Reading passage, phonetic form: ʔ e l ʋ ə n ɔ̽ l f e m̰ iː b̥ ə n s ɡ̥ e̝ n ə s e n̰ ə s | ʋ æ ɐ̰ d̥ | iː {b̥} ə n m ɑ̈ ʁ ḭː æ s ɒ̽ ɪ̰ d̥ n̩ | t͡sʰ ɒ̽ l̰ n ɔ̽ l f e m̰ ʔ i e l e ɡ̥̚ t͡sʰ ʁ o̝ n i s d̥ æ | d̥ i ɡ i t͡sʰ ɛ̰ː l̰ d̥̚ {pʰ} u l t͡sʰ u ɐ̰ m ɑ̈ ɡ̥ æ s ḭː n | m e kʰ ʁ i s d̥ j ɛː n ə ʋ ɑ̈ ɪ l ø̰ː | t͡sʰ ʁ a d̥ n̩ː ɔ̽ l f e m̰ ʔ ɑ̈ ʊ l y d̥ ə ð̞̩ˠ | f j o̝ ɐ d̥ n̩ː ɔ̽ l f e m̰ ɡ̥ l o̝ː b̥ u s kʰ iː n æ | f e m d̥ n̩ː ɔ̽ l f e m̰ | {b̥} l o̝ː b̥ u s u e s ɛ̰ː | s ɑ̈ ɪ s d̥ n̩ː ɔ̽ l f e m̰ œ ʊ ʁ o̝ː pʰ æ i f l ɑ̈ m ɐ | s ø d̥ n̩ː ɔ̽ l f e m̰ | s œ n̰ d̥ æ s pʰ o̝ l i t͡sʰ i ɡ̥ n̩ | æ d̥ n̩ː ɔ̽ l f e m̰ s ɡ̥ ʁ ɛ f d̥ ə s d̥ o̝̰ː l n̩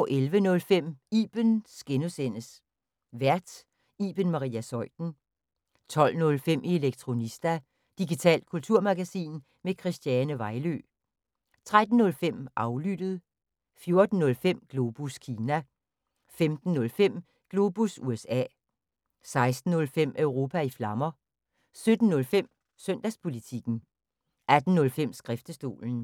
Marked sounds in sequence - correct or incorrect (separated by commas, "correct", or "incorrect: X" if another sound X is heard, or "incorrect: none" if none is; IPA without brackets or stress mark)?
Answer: correct, incorrect: kʰ, incorrect: ɡ̥